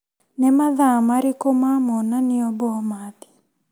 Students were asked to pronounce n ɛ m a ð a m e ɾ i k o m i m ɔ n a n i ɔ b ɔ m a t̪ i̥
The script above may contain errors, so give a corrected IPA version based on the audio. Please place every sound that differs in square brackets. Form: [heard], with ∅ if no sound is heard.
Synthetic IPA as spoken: n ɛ m a ð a m [a] ɾ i k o m [a] m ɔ n a n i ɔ b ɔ m a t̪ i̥